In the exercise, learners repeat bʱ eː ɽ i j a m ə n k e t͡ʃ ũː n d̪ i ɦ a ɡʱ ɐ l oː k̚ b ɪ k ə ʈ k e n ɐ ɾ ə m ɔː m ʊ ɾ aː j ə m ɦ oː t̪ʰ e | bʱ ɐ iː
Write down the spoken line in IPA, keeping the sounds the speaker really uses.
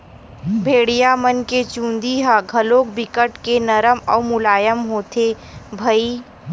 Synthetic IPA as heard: bʱ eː ɽ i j a m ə n k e t͡ʃ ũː n d̪ i ɦ a ɡʱ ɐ l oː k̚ b ɪ k ə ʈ k e n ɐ ɾ ə m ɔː m ʊ l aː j ə m ɦ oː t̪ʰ e | bʱ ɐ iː

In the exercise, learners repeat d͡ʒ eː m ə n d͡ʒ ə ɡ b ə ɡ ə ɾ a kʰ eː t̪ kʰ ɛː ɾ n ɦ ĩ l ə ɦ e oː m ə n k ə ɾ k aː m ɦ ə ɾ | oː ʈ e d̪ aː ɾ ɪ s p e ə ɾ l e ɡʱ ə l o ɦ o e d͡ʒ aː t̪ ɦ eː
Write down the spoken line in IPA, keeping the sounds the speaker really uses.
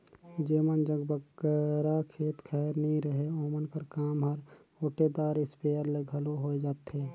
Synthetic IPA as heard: d͡ʒ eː m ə n d͡ʒ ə ɡ b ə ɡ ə ɾ a kʰ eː t̪ kʰ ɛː ɾ n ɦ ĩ ɾ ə ɦ e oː m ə n k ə ɾ k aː m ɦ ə ɾ | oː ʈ e d̪ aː ɾ ɪ s p e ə ɾ l e ɡʱ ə l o ɦ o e d͡ʒ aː t̪ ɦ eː

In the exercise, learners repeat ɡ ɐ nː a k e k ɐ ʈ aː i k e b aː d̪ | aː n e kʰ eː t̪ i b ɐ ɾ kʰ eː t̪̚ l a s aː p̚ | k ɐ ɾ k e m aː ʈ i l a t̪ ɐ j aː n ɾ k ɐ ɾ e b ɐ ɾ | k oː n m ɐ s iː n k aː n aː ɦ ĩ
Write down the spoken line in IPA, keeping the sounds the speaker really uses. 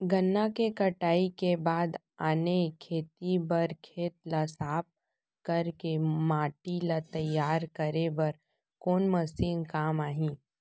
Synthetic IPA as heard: ɡ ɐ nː a k e k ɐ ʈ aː i k e b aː d̪ | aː n e kʰ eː t̪ i b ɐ ɾ kʰ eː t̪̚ l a s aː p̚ | k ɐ ɾ k e m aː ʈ i l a t̪ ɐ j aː ɾ k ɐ ɾ e b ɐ ɾ | k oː n m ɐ s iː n k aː m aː ɦ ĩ

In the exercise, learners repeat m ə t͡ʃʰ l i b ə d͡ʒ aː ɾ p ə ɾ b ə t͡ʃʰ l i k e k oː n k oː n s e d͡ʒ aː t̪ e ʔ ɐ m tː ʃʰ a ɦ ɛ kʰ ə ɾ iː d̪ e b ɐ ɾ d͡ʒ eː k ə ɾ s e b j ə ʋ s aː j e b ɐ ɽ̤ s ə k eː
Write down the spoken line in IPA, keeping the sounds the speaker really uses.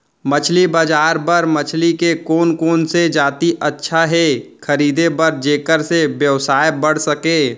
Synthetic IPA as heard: m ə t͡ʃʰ l i b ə d͡ʒ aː ɾ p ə ɾ m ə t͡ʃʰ l i k e k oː n k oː n s e d͡ʒ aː t̪ i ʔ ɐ tː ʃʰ a ɦ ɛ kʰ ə ɾ iː d̪ e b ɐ ɾ d͡ʒ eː k ə ɾ s e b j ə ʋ s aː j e b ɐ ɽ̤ s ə k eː

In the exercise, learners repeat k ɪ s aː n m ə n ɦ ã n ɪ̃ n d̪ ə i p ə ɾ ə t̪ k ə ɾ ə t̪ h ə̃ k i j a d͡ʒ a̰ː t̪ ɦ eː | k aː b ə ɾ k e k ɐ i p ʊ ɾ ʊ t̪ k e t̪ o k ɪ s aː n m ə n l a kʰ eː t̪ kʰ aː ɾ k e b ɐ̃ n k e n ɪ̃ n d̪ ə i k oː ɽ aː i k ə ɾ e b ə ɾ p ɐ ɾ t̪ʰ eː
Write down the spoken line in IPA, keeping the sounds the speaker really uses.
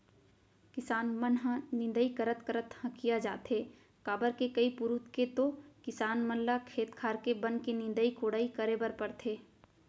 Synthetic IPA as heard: k ɪ s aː n m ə n ɦ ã n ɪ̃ n d̪ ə i k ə ɾ ə t̪ k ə ɾ ə t̪ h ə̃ k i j a d͡ʒ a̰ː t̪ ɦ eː | k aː b ə ɾ k e k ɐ i p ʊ ɾ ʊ t̪ k e t̪ o k ɪ s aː n m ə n l a kʰ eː t̪ kʰ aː ɾ k e b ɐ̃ n k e n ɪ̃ n d̪ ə i k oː ɽ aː i k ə ɾ e b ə ɾ p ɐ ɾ t̪ʰ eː

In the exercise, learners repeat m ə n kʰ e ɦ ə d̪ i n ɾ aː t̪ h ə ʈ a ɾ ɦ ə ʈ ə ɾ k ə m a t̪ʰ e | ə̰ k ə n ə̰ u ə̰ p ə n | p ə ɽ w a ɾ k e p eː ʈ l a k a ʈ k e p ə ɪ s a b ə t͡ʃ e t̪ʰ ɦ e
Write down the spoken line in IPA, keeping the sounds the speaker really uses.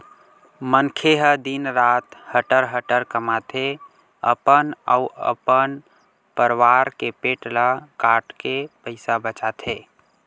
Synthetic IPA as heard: m ə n kʰ e ɦ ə d̪ i n ɾ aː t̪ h ə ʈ ə ɾ ɦ ə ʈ ə ɾ k ə m a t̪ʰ e | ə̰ p ə n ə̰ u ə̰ p ə n | p ə ɾ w a ɾ k e p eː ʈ l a k a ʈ k e p ə ɪ s a b ə t͡ʃ a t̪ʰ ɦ e

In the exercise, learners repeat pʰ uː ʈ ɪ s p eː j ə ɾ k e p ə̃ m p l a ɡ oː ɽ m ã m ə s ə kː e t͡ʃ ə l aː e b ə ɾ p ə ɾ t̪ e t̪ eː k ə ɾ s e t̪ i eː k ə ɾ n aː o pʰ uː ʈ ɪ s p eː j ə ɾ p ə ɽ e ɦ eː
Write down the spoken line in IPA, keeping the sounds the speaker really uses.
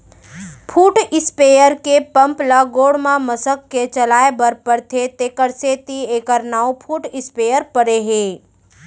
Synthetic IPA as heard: pʰ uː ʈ ɪ s p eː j ə ɾ k e p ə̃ m p l a ɡ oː ɽ m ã m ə s ə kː e t͡ʃ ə l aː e b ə ɾ p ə ɾ t̪ʰ e t̪ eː k ə ɾ s e t̪ i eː k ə ɾ n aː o pʰ uː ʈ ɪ s p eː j ə ɾ p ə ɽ e ɦ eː

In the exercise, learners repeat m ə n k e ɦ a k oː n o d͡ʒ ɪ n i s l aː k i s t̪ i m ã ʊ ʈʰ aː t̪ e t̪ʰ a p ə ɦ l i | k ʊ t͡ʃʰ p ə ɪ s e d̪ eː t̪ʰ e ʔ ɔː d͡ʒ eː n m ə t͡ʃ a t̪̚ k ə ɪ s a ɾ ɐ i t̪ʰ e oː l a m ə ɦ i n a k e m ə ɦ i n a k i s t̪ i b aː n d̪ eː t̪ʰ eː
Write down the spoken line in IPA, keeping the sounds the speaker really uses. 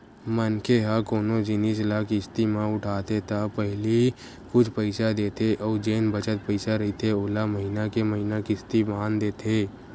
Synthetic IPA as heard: m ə n k e ɦ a k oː n o d͡ʒ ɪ n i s l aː k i s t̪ i m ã ʊ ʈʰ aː t̪ e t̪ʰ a p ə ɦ l i | k ʊ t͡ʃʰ p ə ɪ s a d̪ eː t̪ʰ e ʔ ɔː d͡ʒ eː n b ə t͡ʃ ə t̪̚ p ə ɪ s a ɾ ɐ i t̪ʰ e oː l a m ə ɦ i n a k e m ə ɦ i n a k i s t̪ i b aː n d̪ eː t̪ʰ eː

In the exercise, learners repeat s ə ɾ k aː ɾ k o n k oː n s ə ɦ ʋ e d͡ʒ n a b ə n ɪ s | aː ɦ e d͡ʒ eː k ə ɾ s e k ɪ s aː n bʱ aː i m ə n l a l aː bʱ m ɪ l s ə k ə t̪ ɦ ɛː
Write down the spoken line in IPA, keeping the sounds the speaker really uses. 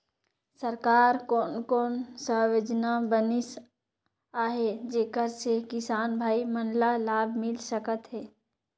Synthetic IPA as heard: s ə ɾ k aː ɾ k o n k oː n s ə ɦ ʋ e d͡ʒ n a b ə n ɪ s | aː ɦ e d͡ʒ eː k ə ɾ s e k ɪ s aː n bʱ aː i m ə n l a l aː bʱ m ɪ l s ə k ə t̪ ɦ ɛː

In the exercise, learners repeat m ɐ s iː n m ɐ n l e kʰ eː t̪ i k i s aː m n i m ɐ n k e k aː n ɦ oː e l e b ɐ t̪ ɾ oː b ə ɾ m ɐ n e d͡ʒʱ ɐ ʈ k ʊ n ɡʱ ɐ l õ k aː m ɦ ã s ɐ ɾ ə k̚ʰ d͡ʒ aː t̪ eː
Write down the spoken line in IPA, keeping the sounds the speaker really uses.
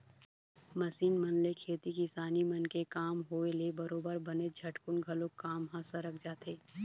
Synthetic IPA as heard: m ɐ s iː n m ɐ n l e kʰ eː t̪ i k i s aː n i m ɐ n k e k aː m ɦ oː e l e b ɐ ɾ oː b ə ɾ b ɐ n e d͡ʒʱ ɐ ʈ k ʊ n ɡʱ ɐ l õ k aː m ɦ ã s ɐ ɾ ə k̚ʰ d͡ʒ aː t̪ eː

